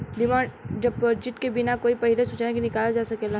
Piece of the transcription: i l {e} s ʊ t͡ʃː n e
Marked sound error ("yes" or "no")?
no